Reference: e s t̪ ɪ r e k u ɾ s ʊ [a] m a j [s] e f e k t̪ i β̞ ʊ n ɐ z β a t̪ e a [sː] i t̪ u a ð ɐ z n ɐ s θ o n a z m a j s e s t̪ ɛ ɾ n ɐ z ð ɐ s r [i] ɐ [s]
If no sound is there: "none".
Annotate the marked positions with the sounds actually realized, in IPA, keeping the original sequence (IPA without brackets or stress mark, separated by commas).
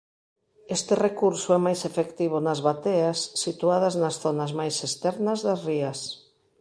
ɛ, s, sː, i, s